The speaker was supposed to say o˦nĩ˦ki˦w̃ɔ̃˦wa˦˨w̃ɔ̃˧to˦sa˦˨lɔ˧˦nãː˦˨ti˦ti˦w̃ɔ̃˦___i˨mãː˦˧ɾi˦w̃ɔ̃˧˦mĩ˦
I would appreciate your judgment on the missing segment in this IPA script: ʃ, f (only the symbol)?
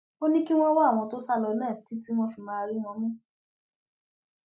f